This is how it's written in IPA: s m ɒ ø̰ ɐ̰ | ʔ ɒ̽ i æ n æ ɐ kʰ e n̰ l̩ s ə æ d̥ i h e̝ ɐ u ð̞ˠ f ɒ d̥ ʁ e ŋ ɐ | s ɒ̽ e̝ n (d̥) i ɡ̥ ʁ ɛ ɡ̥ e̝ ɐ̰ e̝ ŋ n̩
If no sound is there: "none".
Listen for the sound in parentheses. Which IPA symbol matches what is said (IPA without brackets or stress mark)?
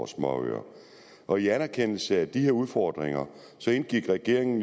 ɡ̥